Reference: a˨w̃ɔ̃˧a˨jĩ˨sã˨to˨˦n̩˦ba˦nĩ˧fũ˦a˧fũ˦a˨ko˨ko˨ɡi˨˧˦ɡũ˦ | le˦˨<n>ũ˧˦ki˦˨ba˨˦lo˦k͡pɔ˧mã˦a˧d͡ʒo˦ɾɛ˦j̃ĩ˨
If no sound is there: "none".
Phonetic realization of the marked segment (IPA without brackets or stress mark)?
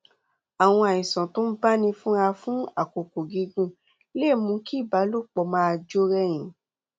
m